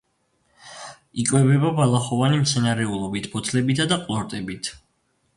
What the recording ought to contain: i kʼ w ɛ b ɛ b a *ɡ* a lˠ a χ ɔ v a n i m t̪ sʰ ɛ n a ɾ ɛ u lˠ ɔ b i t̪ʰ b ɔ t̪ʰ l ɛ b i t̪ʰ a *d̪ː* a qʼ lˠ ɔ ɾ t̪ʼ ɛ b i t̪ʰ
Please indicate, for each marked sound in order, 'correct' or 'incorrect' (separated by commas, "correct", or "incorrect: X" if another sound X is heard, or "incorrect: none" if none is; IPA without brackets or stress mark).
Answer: incorrect: b, incorrect: d̪